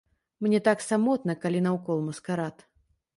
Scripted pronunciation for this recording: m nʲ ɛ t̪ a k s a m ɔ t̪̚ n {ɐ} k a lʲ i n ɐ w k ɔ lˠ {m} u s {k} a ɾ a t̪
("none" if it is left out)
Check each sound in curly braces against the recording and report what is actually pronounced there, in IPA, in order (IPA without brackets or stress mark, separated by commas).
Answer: ɐ, m, k